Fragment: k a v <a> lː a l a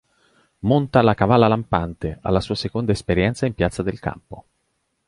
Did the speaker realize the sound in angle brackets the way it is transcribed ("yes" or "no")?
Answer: yes